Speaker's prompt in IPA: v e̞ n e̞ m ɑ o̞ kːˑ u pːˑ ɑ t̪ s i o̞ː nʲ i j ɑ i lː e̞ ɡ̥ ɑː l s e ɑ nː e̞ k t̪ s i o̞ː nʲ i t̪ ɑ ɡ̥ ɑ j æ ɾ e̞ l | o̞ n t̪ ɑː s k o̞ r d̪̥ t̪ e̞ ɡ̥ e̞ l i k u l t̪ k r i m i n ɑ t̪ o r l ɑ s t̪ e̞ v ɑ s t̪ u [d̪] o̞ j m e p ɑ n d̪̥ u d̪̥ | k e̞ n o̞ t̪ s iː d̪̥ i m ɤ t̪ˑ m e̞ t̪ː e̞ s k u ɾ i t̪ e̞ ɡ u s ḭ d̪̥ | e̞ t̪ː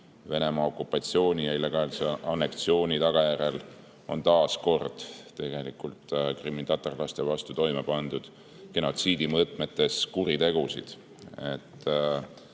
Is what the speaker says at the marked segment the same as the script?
no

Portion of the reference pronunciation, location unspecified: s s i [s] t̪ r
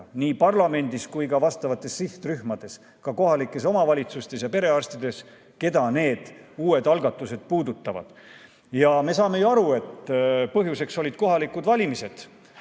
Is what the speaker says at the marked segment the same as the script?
no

